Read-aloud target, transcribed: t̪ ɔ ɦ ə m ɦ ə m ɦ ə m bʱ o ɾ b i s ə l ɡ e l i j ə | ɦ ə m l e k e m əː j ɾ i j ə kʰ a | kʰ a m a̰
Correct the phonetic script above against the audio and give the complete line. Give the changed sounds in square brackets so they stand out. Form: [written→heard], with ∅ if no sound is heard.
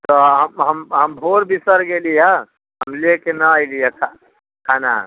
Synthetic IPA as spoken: t̪ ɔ ɦ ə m ɦ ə m ɦ ə m bʱ o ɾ b i s ə [l→ɾ] ɡ e l i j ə | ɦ ə m l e k e [m→n] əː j [ɾ→l] i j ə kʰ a | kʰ a [m→n] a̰